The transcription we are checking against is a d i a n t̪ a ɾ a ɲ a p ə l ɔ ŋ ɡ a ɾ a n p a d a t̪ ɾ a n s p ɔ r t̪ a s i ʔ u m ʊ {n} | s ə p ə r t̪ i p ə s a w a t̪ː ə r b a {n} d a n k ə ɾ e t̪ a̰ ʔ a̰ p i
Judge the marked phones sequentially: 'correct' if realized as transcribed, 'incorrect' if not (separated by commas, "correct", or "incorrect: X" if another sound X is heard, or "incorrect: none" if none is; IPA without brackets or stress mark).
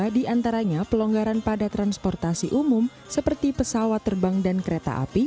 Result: incorrect: m, incorrect: ŋ